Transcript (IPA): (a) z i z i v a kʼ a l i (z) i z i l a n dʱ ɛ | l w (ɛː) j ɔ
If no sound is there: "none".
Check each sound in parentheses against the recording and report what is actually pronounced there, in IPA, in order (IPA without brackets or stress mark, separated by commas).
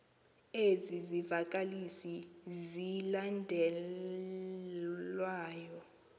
e, s, aː